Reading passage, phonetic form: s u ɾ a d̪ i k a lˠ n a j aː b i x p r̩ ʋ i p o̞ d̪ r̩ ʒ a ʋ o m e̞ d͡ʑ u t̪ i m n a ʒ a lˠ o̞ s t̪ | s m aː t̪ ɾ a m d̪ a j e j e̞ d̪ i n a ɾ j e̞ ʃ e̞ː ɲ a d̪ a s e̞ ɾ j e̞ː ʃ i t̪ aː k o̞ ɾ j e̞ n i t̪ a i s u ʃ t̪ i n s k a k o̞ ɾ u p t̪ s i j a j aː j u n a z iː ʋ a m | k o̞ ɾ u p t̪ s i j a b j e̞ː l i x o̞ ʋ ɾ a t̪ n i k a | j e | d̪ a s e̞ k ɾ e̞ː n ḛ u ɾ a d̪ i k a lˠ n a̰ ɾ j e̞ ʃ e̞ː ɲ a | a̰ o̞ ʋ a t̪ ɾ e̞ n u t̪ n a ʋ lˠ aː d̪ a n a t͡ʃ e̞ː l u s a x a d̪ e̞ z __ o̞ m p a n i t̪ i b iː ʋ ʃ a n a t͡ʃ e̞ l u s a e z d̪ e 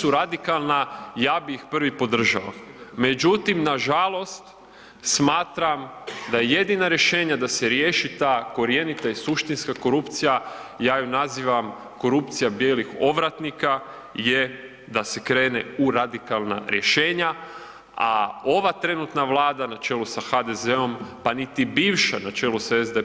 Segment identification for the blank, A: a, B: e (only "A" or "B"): B